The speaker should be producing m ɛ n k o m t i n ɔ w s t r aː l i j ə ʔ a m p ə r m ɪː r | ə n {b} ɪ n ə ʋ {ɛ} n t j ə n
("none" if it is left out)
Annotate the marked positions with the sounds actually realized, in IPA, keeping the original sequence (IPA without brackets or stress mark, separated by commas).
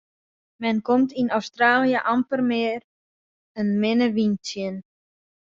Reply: m, i